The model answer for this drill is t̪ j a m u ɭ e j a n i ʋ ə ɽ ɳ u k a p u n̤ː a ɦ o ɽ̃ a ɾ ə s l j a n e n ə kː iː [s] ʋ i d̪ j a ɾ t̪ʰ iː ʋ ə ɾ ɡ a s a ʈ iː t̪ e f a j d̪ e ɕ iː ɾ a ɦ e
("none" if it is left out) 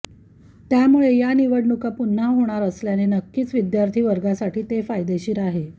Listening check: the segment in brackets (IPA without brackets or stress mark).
t͡s